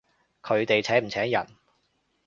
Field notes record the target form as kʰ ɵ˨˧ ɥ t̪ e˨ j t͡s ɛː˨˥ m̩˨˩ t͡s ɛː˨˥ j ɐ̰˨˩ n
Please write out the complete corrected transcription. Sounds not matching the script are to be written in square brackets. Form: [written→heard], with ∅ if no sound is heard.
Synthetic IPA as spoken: kʰ ɵ˨˧ ɥ t̪ e˨ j [t͡s→t͡sʰ] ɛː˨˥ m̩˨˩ [t͡s→t͡sʰ] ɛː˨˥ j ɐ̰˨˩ n